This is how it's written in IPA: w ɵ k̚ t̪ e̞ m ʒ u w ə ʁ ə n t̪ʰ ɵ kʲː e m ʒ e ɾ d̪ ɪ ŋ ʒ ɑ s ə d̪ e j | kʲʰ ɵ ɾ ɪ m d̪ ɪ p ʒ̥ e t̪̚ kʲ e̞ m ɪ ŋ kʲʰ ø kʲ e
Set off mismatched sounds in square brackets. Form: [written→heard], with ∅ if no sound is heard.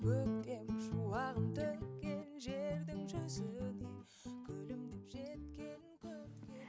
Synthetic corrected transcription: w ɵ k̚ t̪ e̞ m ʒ u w [ə→ɑ] ʁ ə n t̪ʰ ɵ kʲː e [m→n] ʒ e ɾ d̪ ɪ ŋ ʒ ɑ s ə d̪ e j | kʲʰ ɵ [ɾ→l] ɪ m d̪ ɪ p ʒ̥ e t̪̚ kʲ e̞ [m→n] ɪ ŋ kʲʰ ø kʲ e